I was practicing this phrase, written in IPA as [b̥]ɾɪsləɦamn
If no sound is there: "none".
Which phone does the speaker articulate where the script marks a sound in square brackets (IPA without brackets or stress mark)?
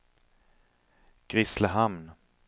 ɡ̥